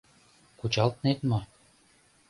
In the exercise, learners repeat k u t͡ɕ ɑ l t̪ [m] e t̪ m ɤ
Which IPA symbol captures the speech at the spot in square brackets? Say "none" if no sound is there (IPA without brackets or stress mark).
n